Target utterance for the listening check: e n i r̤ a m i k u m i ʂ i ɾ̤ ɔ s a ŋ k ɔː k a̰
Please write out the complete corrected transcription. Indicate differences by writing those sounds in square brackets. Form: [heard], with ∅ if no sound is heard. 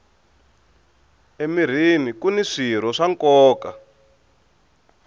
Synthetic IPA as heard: e [m] i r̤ [i] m i k u [n] i ʂ i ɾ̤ ɔ [ʂ] a ŋ k ɔː k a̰

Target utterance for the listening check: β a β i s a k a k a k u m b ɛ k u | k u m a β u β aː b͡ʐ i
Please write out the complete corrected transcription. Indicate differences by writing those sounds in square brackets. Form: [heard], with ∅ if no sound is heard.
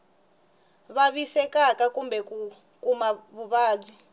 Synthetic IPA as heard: β a β i s [ɛ] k a k a k u m b ɛ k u | k u m a β u β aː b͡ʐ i

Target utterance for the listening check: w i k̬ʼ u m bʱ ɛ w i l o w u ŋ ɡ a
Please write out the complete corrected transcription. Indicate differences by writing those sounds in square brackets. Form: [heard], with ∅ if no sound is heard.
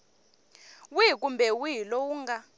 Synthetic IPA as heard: w i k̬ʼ u m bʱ ɛ w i l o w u ŋ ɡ a

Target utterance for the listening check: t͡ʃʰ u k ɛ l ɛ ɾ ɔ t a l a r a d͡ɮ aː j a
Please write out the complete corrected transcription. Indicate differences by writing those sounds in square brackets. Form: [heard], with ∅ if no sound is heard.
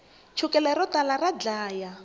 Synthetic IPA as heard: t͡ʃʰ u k ɛ l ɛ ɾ ɔ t a l a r a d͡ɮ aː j a

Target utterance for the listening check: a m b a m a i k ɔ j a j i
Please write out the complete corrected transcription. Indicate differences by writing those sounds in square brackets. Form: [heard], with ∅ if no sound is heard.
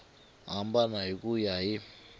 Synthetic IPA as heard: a m b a [n] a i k [u] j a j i

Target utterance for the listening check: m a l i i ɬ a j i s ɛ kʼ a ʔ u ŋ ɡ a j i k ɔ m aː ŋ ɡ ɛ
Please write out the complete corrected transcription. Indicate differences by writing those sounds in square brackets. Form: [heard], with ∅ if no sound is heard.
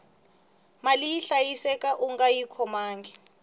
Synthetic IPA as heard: m a l i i ɬ a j i s ɛ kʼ a ʔ u ŋ ɡ a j i [kʰ] ɔ m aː ŋ ɡ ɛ

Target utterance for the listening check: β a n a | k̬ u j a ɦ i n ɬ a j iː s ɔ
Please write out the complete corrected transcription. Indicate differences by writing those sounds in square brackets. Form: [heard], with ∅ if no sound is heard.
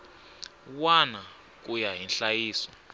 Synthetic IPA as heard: [w] a n a | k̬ u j a ɦ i n ɬ a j iː s ɔ

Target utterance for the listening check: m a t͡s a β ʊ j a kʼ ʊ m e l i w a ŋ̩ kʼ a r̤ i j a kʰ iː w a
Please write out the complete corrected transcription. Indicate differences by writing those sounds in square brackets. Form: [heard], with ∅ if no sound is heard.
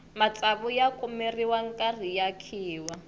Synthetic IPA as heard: m a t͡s a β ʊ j a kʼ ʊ m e [r] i w a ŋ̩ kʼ a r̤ i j a kʰ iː w a

